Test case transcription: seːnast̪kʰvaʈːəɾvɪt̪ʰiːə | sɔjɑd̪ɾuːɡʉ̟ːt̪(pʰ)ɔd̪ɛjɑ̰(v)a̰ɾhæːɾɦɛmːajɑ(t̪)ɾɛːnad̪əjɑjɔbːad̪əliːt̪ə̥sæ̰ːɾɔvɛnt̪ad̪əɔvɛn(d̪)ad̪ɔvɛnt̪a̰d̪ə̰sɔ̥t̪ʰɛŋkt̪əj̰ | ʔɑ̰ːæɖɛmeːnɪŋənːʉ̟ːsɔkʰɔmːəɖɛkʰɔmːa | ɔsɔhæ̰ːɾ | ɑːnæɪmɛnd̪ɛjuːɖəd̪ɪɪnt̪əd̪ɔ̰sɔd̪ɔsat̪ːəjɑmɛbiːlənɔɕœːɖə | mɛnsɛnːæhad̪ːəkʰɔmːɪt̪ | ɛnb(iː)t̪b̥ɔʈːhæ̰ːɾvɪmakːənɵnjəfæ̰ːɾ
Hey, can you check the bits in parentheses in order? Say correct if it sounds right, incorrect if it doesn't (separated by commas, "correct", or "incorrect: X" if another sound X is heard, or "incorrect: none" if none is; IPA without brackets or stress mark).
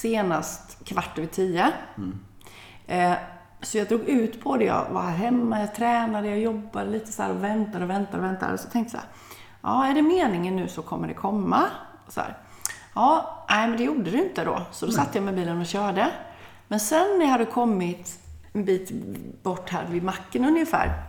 correct, correct, incorrect: t̪ʰ, incorrect: t̪, correct